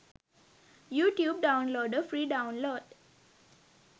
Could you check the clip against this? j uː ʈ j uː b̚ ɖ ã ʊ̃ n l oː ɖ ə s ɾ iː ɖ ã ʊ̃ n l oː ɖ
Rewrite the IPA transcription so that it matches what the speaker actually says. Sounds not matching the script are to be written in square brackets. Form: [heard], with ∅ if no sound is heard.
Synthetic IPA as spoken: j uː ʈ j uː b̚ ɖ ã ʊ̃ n l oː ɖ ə [f] ɾ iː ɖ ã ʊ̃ n l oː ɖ